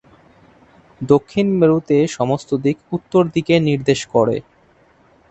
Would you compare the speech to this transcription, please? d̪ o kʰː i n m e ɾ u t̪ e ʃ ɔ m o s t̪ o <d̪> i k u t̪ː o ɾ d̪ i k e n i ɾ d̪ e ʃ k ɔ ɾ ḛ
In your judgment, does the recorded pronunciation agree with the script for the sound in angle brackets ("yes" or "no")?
yes